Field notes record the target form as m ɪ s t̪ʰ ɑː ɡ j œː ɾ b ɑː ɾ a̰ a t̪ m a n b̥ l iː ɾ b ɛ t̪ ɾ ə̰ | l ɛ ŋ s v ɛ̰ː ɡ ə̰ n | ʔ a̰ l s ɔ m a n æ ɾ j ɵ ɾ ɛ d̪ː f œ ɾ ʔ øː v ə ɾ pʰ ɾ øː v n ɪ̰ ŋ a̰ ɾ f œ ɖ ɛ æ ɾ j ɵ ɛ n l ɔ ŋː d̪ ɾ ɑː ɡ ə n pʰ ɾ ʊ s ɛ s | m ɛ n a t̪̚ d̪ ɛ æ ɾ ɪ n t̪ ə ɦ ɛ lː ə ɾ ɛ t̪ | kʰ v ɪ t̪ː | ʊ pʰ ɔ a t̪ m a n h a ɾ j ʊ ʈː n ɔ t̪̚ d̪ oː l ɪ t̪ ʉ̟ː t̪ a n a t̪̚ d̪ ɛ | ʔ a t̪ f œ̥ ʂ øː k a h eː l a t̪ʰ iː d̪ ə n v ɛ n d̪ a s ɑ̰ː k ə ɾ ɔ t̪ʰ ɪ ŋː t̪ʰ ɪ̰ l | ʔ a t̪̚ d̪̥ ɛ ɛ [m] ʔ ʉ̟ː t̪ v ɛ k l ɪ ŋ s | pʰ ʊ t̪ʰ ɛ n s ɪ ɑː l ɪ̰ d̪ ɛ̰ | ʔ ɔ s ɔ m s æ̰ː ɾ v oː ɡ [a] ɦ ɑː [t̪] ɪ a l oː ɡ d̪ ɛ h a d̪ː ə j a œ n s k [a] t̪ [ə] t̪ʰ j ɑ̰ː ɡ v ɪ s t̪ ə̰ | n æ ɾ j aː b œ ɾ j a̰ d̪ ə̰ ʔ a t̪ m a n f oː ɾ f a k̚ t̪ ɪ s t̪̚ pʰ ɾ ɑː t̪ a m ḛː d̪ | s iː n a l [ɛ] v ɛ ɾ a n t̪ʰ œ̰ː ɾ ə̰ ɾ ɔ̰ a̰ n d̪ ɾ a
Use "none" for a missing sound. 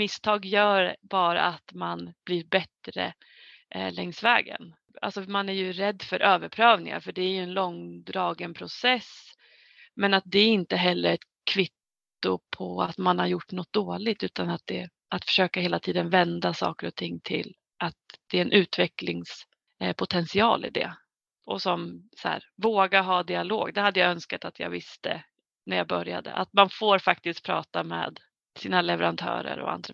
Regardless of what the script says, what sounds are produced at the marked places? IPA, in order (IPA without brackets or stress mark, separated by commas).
n, a, d̪, a, a, ɛ